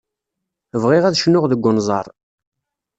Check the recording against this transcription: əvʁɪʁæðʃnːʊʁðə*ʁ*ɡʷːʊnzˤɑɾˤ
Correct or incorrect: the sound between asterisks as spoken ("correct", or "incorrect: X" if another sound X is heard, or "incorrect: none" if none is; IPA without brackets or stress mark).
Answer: incorrect: none